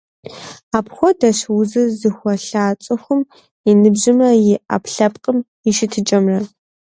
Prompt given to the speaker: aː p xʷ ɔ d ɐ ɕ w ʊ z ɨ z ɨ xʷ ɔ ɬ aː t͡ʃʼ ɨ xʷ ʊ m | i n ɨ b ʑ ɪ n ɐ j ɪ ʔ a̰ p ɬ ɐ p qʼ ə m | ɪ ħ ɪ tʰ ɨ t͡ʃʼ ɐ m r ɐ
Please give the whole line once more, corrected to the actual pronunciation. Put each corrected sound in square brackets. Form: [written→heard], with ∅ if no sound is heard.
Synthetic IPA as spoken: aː p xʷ ɔ d ɐ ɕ w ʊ z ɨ z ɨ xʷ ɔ ɬ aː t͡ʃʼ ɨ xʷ ʊ m | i n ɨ b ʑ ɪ [n→m] ɐ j ɪ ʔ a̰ p ɬ ɐ p qʼ ə m | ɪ [ħ→ʃ] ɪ tʰ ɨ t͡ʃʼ ɐ m r ɐ